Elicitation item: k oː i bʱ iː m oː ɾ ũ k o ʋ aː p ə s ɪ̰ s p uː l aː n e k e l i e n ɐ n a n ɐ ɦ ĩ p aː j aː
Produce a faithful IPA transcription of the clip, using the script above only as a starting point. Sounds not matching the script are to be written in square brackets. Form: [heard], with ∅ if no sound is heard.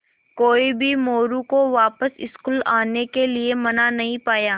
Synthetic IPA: k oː i bʱ [i] m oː ɾ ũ k o ʋ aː p ə s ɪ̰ s [k] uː l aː n e k e l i e [m] ɐ n a n ɐ ɦ ĩ p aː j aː